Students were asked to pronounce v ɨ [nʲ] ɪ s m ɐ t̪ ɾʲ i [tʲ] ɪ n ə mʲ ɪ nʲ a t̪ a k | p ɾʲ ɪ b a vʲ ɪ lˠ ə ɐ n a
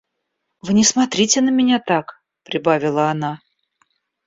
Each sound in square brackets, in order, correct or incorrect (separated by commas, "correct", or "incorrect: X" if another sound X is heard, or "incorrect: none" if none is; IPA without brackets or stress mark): correct, correct